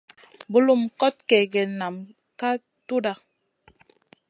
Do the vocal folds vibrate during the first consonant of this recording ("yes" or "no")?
yes